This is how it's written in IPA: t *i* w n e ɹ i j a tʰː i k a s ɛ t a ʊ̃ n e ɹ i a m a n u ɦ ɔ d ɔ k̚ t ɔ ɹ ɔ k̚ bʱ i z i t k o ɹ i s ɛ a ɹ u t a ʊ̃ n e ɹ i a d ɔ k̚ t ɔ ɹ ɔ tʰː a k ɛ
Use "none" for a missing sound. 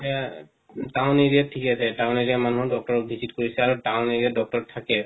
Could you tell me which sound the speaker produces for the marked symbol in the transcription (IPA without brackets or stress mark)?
a